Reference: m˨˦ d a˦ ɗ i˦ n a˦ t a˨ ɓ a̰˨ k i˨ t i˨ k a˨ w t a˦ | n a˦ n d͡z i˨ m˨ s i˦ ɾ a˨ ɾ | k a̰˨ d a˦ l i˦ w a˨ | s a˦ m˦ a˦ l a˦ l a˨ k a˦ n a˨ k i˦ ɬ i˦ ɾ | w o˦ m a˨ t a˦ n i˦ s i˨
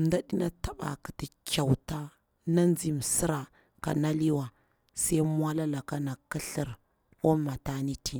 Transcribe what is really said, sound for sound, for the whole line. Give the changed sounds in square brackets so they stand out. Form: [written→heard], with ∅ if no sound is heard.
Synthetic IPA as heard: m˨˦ d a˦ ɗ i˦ n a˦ t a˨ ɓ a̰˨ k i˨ t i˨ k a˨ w t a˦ | n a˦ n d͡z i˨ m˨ s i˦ ɾ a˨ [ɾ→∅] | k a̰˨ [d→n] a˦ l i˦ w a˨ | s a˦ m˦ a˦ l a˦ l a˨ k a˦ n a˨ k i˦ ɬ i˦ ɾ | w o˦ m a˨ t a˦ n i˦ [s→t] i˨